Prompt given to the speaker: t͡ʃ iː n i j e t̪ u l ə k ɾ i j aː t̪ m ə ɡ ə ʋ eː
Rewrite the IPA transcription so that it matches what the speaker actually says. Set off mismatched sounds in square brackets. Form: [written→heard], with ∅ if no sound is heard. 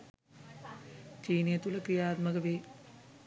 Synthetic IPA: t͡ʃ iː n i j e t̪ u l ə k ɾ i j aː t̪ m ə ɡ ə ʋ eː